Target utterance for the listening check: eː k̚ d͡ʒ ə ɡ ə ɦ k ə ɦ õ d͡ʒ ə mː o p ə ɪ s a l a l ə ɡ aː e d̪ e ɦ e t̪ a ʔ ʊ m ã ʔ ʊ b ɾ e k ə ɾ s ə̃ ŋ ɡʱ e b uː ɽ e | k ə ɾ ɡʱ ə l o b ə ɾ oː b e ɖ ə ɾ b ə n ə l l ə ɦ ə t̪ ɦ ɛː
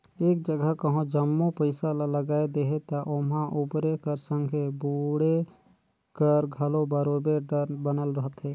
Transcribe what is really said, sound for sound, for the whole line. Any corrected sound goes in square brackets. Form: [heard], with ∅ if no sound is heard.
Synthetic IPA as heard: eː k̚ d͡ʒ ə ɡ ə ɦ k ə ɦ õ d͡ʒ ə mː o p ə ɪ s a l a l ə ɡ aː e d̪ e ɦ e t̪ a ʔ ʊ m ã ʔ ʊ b ɾ e k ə ɾ s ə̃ ŋ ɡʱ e b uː ɽ e | k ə ɾ ɡʱ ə l o b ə ɾ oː b e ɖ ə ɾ b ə n ə l [ɾ] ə ɦ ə t̪ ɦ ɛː